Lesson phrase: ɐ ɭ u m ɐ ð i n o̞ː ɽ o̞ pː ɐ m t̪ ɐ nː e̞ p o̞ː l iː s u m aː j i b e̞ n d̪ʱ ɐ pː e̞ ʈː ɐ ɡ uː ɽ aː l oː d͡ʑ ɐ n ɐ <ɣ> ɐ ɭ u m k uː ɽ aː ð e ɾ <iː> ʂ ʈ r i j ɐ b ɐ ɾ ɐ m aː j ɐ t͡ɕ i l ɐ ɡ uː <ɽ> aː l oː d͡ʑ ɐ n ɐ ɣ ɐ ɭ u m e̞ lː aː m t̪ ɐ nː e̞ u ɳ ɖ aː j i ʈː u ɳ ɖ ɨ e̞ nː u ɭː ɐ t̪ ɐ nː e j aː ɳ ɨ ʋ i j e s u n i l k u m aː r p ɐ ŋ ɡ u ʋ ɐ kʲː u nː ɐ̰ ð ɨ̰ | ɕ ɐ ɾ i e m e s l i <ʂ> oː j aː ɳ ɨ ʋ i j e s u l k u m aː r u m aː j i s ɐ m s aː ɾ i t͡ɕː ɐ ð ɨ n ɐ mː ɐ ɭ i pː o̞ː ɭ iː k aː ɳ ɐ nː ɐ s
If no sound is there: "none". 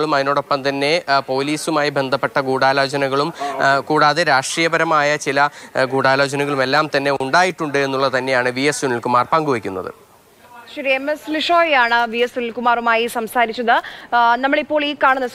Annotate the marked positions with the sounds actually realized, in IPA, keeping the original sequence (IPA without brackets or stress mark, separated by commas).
ɣ, aː, ɽ, ʂ